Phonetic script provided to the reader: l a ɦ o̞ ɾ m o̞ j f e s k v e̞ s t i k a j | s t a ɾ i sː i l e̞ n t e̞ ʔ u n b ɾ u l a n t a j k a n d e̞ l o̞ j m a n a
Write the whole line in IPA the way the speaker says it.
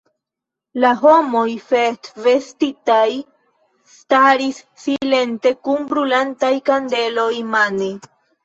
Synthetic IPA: l a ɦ o̞ m o̞ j f e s t v e̞ s t i t a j | s t a ɾ i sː i l e̞ n t e̞ k u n b ɾ u l a n t a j k a n d e̞ l o̞ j m a n e